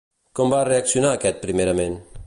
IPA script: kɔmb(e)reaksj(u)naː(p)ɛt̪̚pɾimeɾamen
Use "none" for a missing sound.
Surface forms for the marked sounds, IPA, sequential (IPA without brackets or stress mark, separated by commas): a, u, k